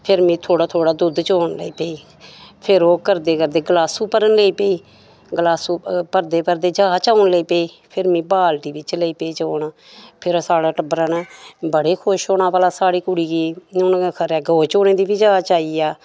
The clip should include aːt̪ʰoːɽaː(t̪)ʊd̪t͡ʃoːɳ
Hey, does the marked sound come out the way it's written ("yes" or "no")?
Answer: no